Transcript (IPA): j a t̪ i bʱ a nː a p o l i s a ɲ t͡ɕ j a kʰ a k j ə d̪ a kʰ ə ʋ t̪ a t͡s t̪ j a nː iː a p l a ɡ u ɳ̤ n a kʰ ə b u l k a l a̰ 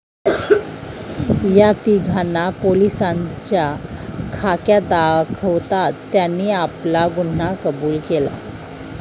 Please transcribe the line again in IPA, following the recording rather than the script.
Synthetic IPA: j a t̪ i ɡʱ a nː a p o l i s a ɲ t͡ɕ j a kʰ a k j a d̪ a kʰ ə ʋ t̪ a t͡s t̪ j a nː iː a p l a ɡ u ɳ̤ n a k ə b uː l k e l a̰